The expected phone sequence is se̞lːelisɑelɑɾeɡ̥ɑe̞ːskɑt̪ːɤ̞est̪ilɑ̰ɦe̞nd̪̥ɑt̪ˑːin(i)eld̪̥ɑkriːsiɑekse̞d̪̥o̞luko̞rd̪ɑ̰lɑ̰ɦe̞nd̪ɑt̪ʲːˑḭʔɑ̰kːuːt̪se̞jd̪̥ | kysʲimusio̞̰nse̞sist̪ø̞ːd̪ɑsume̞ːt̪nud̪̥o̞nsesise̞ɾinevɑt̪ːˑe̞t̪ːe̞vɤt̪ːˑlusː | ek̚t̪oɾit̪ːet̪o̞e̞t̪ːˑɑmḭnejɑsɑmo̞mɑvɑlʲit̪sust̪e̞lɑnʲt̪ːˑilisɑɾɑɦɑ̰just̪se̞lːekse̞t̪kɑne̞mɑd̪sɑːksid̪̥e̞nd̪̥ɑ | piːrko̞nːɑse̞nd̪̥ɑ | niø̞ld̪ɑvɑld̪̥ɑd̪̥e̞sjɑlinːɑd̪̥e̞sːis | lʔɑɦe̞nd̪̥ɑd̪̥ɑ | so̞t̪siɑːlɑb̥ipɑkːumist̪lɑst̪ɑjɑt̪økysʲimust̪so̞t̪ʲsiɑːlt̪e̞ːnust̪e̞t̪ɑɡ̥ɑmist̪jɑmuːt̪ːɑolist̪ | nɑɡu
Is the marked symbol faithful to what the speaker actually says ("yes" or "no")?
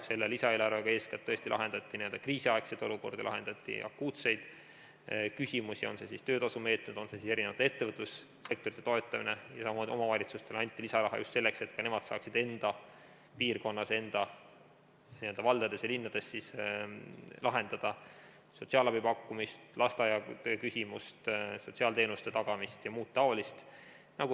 yes